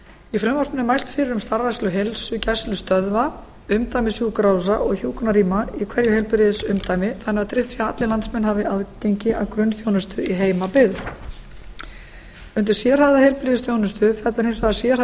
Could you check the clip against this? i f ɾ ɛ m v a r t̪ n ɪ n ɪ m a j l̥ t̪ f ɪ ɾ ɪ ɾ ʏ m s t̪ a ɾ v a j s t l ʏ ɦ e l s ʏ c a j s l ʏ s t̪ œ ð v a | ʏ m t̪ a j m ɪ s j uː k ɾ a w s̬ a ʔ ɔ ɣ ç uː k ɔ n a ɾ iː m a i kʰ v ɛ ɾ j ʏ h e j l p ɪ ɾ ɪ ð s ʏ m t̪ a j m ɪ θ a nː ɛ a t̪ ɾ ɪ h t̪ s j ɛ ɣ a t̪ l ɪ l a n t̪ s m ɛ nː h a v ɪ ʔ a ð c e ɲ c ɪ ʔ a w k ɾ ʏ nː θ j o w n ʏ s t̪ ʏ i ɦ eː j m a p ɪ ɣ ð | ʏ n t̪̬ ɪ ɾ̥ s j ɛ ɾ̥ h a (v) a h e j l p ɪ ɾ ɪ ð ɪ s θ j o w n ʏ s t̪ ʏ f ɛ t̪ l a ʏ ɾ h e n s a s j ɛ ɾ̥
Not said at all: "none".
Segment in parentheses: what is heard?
ð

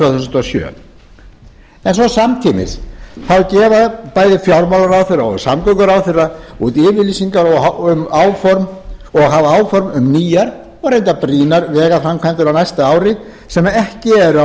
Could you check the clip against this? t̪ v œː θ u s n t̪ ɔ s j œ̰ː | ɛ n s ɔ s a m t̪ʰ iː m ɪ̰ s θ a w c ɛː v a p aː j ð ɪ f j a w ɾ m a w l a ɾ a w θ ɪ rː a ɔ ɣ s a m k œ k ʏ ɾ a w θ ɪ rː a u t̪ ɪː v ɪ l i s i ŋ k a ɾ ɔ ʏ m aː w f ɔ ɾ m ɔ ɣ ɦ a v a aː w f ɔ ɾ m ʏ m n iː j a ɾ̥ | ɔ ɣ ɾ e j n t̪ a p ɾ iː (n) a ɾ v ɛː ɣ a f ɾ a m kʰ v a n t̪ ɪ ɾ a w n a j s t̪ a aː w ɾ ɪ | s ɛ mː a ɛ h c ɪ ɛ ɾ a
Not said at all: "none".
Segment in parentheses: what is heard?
n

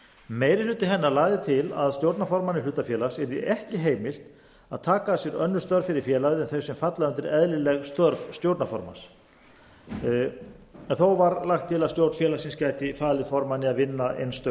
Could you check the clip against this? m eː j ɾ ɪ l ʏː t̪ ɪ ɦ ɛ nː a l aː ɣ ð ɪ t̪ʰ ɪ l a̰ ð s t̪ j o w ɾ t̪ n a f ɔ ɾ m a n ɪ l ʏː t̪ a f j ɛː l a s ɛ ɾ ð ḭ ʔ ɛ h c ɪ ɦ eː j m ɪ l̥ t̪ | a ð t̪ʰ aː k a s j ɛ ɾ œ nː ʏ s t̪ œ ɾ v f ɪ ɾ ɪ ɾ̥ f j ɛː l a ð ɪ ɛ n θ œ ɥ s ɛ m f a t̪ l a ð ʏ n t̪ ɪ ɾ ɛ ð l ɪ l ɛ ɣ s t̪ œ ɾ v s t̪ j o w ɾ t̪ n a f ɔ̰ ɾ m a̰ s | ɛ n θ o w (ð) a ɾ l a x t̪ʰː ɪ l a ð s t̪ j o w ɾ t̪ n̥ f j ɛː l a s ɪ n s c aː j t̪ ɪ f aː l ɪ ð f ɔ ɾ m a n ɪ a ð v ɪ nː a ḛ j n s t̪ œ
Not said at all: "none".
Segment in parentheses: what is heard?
v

